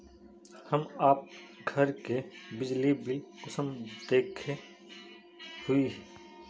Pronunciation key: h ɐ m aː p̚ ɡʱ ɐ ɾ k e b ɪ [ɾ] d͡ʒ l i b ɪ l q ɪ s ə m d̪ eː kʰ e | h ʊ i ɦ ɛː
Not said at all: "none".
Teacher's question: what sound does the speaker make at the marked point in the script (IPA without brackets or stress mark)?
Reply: none